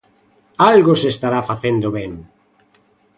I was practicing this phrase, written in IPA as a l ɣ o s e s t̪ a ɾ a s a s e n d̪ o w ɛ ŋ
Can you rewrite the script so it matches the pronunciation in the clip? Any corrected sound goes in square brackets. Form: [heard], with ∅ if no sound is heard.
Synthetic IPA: a l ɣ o s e s t̪ a ɾ a [f] a [θ] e n d̪ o [β] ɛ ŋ